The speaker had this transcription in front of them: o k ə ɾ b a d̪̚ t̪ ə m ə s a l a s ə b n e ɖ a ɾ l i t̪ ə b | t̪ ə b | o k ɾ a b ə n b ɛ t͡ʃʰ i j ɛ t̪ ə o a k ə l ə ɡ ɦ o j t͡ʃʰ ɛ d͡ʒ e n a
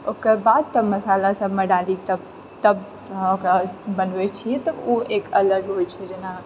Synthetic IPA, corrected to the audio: o k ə ɾ b a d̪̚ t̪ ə m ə s a l a s ə b m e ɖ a l i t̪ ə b | t̪ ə b | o k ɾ a b ə n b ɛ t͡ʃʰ i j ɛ t̪ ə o e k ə l ə ɡ ɦ o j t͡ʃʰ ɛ d͡ʒ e n a